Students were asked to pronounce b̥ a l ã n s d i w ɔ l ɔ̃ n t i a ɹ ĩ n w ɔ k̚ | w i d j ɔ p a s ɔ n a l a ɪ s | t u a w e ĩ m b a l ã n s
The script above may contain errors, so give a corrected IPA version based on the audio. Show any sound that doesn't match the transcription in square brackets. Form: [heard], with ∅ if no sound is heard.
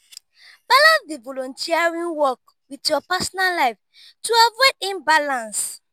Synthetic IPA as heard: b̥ a l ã n s d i [v] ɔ l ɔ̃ n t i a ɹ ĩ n w ɔ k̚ | w i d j ɔ p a s ɔ n a l a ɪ [f] | t u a [v] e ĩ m b a l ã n s